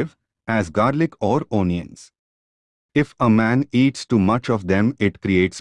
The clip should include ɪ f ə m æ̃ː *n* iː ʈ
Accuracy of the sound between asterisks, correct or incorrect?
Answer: correct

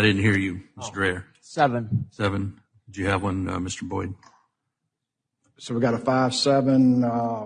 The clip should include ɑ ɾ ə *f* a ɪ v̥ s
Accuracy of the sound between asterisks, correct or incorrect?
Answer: correct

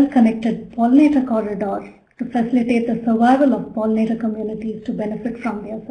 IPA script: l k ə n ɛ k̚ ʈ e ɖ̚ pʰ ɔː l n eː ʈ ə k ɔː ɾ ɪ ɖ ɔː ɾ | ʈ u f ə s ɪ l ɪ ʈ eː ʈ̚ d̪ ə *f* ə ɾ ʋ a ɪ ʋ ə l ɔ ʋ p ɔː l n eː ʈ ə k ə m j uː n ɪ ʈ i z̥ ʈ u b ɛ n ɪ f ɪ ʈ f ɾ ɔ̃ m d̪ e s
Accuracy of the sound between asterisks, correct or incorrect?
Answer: incorrect: s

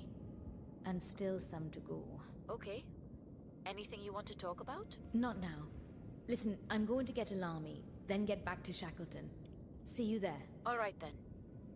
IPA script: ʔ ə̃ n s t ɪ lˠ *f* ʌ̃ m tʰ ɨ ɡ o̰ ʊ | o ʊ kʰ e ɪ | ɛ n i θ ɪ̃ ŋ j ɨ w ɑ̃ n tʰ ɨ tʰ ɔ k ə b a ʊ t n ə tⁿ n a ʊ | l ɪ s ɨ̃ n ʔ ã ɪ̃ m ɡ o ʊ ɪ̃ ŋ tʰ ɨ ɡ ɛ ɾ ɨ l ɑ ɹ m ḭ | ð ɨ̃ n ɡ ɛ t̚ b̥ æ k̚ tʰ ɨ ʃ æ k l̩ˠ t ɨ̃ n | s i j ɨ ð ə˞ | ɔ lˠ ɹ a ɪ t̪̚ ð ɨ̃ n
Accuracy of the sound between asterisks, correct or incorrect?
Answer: incorrect: s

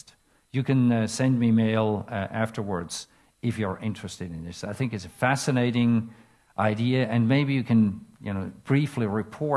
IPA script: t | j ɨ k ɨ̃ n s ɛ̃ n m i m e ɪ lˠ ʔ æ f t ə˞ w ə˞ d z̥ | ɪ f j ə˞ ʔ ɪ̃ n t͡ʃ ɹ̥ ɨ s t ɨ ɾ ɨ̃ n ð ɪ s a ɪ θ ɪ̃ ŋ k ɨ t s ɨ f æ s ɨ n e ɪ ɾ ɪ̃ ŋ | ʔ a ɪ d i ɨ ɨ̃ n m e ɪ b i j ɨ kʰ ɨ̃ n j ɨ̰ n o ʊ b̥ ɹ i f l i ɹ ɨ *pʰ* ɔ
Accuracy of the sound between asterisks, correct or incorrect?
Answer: correct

